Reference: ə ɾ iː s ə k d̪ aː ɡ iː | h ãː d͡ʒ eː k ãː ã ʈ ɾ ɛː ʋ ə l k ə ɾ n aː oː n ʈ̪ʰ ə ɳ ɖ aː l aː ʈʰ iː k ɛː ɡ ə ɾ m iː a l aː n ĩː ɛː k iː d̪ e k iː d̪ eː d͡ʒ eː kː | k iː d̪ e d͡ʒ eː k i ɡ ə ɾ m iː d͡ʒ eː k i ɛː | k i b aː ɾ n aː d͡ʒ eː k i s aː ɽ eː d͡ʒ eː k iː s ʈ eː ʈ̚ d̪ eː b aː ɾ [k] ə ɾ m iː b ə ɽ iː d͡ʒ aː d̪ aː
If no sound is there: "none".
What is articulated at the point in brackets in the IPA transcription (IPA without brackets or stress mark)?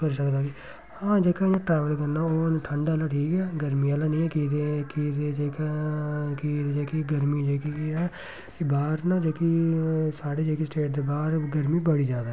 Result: ɡ